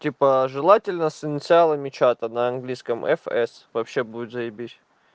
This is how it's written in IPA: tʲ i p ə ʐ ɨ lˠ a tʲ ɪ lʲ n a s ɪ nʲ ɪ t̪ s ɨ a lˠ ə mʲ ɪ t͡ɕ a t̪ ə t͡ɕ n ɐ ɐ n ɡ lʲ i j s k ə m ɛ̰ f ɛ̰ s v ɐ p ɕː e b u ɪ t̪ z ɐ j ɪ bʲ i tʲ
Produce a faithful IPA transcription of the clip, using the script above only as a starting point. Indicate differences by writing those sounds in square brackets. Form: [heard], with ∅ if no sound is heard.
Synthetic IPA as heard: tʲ i p ə ʐ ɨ lˠ a tʲ ɪ lʲ n [ə] s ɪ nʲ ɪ t̪ s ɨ a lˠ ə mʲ ɪ t͡ɕ a t̪ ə [∅] n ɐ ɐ n ɡ lʲ i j s k ə m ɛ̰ f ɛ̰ s v ɐ p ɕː e b u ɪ t̪ z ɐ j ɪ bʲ i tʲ

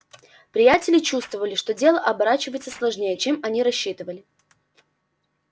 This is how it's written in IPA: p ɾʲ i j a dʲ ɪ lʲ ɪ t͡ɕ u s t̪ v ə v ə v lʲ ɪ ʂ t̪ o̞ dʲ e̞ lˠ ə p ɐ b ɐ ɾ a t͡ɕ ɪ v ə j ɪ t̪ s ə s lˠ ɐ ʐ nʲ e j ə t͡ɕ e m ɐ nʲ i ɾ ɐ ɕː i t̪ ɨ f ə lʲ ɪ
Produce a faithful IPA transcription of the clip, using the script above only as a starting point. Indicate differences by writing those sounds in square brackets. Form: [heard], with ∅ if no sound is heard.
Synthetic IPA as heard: p ɾʲ [ɪ] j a [tʲ] ɪ lʲ ɪ t͡ɕ u s t̪ v ə v ə [∅] lʲ ɪ ʂ t̪ o̞ dʲ e̞ lˠ ə [ʔ] ɐ b ɐ ɾ a t͡ɕ ɪ v ə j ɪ t̪ s ə s lˠ ɐ ʐ nʲ e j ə t͡ɕ e m ɐ nʲ i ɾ ɐ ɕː i t̪ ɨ [v] ə lʲ ɪ

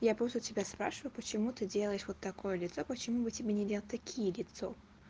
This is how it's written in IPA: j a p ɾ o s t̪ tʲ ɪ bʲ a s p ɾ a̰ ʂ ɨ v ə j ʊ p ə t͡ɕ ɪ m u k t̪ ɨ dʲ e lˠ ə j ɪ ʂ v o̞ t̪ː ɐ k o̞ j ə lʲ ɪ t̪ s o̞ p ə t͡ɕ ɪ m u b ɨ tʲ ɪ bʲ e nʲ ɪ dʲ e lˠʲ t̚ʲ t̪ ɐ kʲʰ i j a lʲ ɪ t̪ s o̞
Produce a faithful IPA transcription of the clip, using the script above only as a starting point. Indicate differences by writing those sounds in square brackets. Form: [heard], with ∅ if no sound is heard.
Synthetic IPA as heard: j a p ɾ o s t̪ tʲ ɪ bʲ a s p ɾ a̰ ʂ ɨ v ə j ʊ p ə t͡ɕ ɪ m u [∅] t̪ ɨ dʲ e lˠ ə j ɪ ʂ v o̞ t̪ː ɐ k o̞ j ə lʲ ɪ t̪ s o̞ p ə t͡ɕ ɪ m u b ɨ tʲ ɪ bʲ e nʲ ɪ dʲ e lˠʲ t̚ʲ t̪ ɐ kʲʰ i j [ə] lʲ ɪ t̪ s o̞

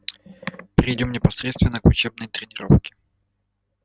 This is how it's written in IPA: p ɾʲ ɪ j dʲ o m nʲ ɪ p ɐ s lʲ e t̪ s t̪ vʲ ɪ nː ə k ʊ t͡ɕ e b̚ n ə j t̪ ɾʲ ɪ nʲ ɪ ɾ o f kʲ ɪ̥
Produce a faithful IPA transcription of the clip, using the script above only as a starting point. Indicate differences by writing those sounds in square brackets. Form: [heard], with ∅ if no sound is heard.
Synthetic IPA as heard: p ɾʲ ɪ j dʲ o m nʲ ɪ p ɐ s [ɾʲ] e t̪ s t̪ vʲ ɪ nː ə k ʊ t͡ɕ e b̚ n ə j t̪ ɾʲ ɪ nʲ ɪ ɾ o f kʲ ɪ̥

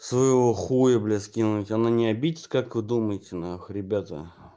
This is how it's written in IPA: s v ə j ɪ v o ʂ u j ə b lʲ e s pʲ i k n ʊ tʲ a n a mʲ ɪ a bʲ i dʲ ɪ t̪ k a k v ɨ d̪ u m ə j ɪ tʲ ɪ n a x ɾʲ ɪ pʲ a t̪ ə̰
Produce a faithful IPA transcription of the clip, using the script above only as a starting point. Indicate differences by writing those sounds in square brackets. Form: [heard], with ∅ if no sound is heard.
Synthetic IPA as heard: s v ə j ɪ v o [x] u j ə b lʲ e s [kʲ] i [∅] n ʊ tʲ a n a [nʲ] ɪ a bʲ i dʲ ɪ t̪ k a k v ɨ d̪ u m ə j ɪ tʲ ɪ n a x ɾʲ ɪ [bʲ] a t̪ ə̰

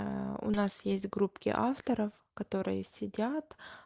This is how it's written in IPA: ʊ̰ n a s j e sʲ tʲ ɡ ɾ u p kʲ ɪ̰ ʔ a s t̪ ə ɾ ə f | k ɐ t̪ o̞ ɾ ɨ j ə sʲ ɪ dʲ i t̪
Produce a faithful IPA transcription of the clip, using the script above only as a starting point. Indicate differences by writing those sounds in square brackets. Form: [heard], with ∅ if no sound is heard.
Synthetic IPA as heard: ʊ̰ n a s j e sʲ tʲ ɡ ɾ u p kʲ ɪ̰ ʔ a [f] t̪ ə ɾ ə f | k ɐ t̪ o̞ ɾ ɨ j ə sʲ ɪ dʲ [a] t̪

